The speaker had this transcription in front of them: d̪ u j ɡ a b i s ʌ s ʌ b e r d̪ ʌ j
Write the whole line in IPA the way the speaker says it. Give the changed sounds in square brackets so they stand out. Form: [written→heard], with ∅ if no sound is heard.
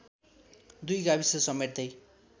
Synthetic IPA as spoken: d̪ u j ɡ a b i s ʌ s ʌ [b→m] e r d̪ ʌ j